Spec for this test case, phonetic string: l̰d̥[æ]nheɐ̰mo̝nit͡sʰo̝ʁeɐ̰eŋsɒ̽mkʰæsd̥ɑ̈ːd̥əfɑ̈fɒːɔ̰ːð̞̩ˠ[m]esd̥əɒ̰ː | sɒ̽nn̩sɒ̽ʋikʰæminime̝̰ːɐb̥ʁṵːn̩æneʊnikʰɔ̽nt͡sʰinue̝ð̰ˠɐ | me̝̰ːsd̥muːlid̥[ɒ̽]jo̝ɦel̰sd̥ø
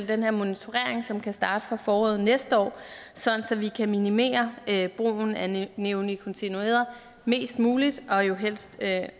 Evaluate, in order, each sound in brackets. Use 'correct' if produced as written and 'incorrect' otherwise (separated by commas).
incorrect, incorrect, correct